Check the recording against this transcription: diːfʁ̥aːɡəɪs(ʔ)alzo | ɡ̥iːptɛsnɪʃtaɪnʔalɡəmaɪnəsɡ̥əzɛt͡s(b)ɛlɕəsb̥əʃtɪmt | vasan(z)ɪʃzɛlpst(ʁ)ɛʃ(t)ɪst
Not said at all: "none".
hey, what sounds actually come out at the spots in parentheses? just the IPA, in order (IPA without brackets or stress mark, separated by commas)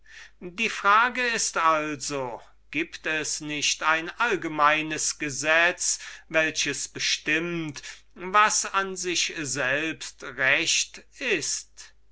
t, v, z, ʁ, t